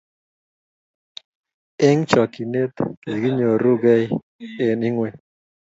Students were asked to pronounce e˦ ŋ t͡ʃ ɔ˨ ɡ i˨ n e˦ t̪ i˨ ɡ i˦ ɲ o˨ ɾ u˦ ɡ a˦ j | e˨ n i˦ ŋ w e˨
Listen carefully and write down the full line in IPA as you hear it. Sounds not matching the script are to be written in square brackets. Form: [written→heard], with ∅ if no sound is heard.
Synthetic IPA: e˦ ŋ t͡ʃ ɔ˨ [ɡ→k] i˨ n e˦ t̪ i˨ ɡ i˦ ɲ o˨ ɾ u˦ ɡ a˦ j | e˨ n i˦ ŋ w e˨